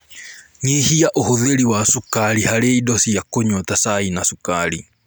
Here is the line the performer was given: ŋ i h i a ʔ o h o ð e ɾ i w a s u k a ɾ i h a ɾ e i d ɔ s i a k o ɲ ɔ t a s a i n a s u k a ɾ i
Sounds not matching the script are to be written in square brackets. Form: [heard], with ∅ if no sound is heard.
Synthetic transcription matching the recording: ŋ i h i a ʔ o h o ð e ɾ i w a s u k a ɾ i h a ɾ e i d ɔ s i a k o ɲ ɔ t a s a i n a s u k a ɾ i